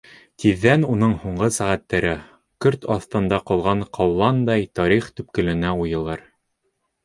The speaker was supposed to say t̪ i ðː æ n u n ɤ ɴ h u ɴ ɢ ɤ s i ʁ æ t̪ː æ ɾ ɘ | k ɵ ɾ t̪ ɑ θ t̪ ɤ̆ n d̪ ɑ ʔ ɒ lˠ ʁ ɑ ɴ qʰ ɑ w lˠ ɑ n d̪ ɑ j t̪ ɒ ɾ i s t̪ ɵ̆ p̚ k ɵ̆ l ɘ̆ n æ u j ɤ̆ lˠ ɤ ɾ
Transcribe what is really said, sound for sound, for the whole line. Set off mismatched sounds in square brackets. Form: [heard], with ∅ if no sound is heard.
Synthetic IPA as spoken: t̪ i ðː æ n u n ɤ ɴ h u ɴ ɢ ɤ s [æ] ʁ æ t̪ː æ ɾ ɘ | k ɵ ɾ t̪ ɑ θ t̪ ɤ̆ n d̪ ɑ [q] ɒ lˠ ʁ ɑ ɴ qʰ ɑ w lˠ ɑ n d̪ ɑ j t̪ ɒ ɾ i [χ] t̪ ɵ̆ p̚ k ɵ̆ l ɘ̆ n æ u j ɤ̆ lˠ ɤ ɾ